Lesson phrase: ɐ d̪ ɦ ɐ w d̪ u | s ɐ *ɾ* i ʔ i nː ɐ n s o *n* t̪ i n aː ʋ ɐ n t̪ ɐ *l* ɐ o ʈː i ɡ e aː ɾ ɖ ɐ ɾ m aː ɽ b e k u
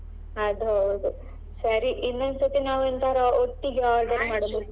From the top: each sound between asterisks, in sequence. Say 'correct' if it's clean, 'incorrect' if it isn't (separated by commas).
correct, incorrect, incorrect